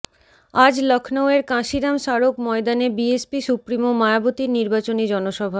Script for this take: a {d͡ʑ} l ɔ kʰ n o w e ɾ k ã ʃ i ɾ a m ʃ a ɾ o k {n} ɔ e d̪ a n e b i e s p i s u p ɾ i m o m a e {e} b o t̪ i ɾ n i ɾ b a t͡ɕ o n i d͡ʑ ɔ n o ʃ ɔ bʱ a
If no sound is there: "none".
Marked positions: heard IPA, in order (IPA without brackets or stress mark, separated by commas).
d͡ʑ, m, a